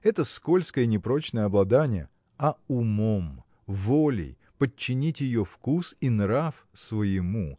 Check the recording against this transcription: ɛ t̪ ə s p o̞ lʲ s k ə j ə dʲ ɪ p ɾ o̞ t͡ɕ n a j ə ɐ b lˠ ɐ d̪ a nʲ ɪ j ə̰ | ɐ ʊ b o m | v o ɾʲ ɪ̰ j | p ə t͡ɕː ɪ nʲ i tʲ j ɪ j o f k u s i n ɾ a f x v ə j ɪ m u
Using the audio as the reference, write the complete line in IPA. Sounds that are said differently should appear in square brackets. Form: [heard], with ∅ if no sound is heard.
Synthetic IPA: ɛ t̪ ə s [k] o̞ lʲ s k ə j ə [nʲ] ɪ p ɾ o̞ t͡ɕ n [ə] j ə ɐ b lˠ ɐ d̪ a nʲ ɪ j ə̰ | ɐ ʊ [m] o m | v o [lʲ] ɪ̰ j | p ə t͡ɕː ɪ nʲ i tʲ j ɪ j o f k u s i n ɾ a f [s] v ə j ɪ m u